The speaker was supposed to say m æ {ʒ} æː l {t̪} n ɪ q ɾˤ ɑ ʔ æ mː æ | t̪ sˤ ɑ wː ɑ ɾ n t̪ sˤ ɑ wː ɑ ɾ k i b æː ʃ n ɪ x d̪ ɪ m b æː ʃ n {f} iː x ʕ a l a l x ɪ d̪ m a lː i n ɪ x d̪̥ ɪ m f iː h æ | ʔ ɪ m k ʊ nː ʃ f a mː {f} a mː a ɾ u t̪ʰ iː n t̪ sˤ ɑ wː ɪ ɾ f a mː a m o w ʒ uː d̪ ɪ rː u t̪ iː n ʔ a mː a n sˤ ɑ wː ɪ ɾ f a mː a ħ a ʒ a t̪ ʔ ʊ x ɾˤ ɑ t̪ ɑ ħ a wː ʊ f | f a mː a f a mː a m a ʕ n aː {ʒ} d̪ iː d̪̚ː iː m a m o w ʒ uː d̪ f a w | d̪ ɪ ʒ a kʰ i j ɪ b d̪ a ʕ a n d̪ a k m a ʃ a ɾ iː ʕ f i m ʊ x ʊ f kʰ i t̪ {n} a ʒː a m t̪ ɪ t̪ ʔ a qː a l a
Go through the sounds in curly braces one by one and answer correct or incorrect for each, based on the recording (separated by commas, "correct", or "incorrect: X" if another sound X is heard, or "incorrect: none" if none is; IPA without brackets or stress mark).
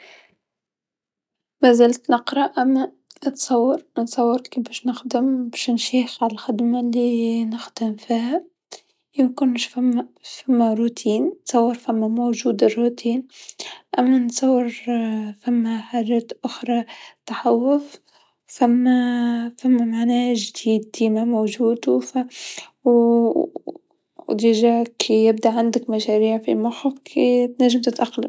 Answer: incorrect: z, correct, incorrect: ʃ, correct, correct, correct